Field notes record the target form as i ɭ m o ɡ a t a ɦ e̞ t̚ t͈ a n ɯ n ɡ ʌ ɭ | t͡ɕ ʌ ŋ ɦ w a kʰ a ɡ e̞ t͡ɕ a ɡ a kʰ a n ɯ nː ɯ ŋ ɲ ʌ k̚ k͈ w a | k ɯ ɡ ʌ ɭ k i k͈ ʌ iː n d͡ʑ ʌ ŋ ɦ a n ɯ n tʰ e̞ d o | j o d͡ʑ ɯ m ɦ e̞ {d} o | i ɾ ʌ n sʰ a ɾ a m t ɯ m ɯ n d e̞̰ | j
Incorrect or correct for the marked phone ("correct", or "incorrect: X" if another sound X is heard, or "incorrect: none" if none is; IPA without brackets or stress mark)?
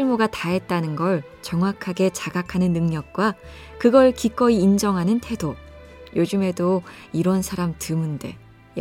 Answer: correct